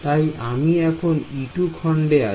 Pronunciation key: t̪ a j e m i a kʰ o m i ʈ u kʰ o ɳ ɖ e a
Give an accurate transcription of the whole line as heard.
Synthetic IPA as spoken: t̪ a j a m i ɛ kʰ o n i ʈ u kʰ ɔ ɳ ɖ e a

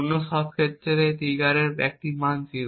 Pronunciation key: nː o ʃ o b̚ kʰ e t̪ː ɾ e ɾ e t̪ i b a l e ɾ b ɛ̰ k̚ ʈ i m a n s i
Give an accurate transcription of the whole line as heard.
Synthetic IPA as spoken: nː o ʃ ɔ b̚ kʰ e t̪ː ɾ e ɾ e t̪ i ɡ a ɾ e ɾ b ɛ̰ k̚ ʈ i m a n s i

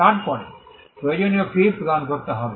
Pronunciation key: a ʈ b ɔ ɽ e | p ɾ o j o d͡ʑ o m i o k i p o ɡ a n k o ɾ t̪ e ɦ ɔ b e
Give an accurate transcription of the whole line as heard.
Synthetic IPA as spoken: a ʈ p ɔ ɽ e | p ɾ o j o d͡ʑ o n i o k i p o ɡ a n k o ɾ t̪ e ɦ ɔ b e

